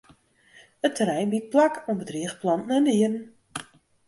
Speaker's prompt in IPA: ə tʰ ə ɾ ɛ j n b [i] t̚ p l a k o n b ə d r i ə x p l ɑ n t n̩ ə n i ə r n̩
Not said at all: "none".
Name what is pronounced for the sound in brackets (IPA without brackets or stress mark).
i